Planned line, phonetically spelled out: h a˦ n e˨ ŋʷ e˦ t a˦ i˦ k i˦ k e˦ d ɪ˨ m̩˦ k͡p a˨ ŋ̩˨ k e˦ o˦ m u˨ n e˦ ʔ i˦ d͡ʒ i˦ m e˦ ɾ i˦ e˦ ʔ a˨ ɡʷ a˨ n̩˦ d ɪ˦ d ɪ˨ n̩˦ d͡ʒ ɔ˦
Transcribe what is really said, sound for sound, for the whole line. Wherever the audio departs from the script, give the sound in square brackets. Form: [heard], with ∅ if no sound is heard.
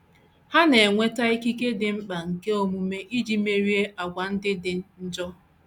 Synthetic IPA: h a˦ n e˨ ŋʷ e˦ t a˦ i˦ k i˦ k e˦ d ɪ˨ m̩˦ k͡p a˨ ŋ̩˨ k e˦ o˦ m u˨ [m] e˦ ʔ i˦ d͡ʒ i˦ m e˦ ɾ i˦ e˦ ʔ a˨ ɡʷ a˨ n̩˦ d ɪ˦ d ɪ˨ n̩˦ d͡ʒ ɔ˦